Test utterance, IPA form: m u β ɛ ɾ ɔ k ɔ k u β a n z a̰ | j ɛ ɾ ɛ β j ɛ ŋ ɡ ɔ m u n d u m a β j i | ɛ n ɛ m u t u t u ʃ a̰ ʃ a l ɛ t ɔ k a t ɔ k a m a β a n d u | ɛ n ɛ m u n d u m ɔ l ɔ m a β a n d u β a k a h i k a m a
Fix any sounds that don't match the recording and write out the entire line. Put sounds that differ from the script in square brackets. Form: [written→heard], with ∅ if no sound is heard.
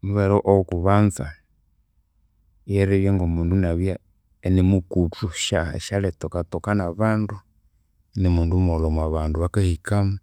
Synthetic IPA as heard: m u β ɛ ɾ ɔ [k→ʔ] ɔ k u β a n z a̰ | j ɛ ɾ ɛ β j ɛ ŋ ɡ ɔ m u n d u [m→n] a β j [i→a] | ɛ n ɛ m u [t→k] u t u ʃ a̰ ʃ a l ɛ t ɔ k a t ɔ k a [m→n] a β a n d u | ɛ n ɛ m u n d u m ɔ l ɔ m a β a n d u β a k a h i k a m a

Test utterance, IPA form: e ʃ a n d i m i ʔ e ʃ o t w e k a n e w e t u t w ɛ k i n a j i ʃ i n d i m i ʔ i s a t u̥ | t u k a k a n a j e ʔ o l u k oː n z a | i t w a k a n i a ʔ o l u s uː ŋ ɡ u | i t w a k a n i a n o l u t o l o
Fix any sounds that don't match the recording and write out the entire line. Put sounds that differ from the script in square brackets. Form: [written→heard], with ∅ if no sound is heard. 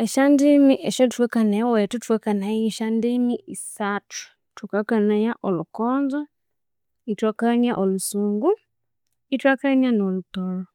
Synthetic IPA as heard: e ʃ a n d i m i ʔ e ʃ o t w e k a n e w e t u t w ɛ k [i→a] n a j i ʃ [i→a] n d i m i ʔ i s a t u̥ | t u k a k a n a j [e→a] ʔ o l u k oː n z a | i t w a k a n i a ʔ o l u s uː ŋ ɡ u | i t w a k a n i a n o l u t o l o

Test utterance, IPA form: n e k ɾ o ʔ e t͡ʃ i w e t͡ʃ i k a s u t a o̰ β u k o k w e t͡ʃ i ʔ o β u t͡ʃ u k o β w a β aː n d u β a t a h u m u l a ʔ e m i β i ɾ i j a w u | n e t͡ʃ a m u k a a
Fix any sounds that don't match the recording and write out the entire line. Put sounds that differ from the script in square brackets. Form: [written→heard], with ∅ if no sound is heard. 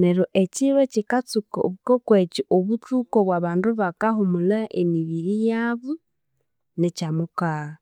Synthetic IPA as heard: n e [k→∅] ɾ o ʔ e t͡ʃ i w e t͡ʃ i k a [s→t͡s] u [t→k] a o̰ β u k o k w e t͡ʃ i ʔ o β u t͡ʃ u k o β w a β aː n d u β a [t→k] a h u m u l a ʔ e m i β i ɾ i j a [w→β] u | n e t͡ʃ a m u k a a

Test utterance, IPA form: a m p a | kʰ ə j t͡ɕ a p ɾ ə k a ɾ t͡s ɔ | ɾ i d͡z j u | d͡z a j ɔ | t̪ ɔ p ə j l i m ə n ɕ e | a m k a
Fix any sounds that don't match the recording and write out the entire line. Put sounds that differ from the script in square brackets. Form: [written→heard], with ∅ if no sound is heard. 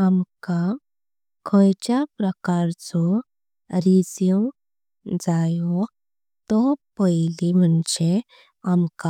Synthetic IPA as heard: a m [p→k] a | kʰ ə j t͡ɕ a p ɾ ə k a ɾ t͡s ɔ | ɾ i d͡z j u | d͡z a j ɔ | t̪ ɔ p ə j l i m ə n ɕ e | a m k a

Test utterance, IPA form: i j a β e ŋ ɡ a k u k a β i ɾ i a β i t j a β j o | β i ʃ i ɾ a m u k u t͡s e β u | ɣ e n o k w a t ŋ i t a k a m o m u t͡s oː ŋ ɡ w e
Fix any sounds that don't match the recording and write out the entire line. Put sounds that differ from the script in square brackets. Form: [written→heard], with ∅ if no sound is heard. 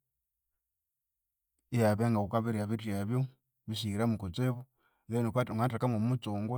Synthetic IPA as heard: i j a β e ŋ ɡ a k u k a β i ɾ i a β i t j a β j o | β i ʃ i ɾ a m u k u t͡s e β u | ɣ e n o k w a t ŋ [i→a] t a k a m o m u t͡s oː ŋ ɡ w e

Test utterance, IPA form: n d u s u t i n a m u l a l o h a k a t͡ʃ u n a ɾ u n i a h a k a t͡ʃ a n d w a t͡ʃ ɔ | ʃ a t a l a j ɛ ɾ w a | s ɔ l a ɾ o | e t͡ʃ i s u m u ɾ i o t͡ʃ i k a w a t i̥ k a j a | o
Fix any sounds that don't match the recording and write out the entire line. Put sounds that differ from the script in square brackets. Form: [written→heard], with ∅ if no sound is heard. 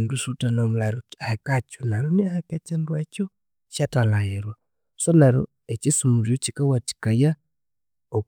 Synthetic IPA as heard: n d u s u t [i→a] n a m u l a [l→ɾ] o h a k a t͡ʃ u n a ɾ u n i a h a k a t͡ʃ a n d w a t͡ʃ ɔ | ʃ a t a l a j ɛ ɾ w a | s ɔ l a ɾ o | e t͡ʃ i s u m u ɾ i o t͡ʃ i k a w a t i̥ k a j a | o

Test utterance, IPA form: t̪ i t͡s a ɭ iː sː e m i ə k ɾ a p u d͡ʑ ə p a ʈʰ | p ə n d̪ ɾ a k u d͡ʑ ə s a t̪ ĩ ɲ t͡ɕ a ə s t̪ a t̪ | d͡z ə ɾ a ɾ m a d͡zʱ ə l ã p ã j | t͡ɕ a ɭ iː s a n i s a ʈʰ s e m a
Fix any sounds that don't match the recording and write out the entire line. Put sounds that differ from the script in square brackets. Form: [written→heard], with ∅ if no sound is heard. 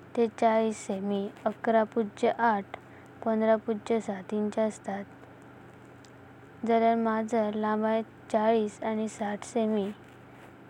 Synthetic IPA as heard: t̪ [i→e] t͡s a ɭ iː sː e m i ə k ɾ a p u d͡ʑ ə [p→ʔ] a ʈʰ | p ə n d̪ ɾ a [k→p] u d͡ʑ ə s a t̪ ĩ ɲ t͡ɕ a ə s t̪ a t̪ | d͡z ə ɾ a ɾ m a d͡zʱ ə l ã [p→b] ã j | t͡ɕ a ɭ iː s a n i s a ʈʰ s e m [a→i]

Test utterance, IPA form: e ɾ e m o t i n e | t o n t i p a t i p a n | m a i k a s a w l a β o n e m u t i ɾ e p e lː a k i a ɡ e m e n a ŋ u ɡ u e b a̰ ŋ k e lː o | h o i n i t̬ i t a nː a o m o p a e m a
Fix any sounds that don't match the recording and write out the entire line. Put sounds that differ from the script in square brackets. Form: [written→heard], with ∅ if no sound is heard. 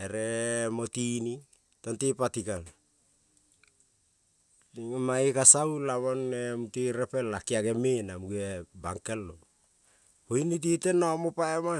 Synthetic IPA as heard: e ɾ e m o t i n [e→i] | t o n t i p a t i [p→k] a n | m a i k a s a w l a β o n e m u t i ɾ e p e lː a k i a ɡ e m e n a [ŋ→m] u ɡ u e b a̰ ŋ k e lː o | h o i n i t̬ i t [a→e] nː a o m o p a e m a

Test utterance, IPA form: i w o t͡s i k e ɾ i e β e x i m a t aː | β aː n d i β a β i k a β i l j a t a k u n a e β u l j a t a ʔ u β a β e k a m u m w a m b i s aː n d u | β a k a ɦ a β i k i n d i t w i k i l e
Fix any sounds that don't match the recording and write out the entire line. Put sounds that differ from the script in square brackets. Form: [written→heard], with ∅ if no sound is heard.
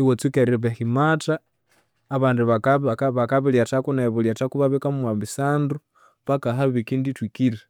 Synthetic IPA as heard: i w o t͡s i k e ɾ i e β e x i m a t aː | β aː n d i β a β [i→a] k a β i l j a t a k u n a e β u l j a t a [ʔ→k] u β a β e k a m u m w a m b i s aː n d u | β a k a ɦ a β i k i n d i t w i k i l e

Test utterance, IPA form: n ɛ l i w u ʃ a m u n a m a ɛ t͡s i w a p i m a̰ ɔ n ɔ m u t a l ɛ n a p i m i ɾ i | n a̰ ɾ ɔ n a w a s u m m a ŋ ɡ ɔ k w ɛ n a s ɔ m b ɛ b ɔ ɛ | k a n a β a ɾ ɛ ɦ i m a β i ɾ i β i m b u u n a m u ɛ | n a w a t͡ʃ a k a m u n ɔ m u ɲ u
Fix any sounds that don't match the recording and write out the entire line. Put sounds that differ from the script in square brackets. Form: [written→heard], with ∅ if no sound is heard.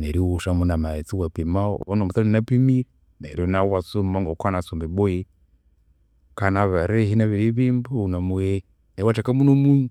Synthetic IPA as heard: n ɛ [l→ɾ] i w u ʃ a m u n a m a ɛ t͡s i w a p i m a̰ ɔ n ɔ m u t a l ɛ n a p i m i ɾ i | n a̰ ɾ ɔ n a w a s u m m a ŋ ɡ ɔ k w [ɛ→a] n a s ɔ m b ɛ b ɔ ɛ | k a n a β a ɾ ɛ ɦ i [m→n] a β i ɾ i β i m b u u n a m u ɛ | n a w a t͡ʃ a k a m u n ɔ m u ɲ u

